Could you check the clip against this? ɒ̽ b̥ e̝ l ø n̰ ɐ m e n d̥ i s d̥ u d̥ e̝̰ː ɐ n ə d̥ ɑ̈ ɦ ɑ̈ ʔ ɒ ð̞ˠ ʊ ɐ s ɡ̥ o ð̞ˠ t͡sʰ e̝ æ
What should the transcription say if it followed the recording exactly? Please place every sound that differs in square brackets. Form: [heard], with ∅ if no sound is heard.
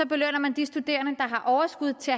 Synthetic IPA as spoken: ɒ̽ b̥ e̝ l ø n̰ ɐ m [æ] n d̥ i s d̥ u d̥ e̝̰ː ɐ n ə d̥ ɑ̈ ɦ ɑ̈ ʔ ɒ [∅] ʊ ɐ s ɡ̥ [u] ð̞ˠ t͡sʰ e̝ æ